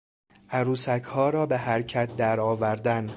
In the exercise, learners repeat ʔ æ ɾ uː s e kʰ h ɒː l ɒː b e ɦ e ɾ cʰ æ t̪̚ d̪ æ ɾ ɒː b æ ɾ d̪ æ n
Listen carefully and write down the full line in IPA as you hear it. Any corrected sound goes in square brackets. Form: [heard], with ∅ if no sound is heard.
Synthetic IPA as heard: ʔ æ ɾ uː s [æ] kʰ h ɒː [ɾ] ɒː b e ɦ [æ] ɾ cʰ æ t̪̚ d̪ æ ɾ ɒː [v] æ ɾ d̪ æ n